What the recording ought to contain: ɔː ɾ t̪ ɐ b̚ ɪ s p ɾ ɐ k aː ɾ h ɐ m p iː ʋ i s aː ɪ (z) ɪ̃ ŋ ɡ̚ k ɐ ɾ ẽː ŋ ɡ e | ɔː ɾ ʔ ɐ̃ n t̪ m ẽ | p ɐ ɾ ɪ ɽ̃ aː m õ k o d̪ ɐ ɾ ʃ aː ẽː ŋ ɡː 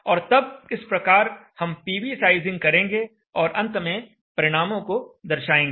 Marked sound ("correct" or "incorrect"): correct